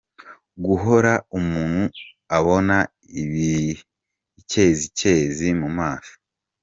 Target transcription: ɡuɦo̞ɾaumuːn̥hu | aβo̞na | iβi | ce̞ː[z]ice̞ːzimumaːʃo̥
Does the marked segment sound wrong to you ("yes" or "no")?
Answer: no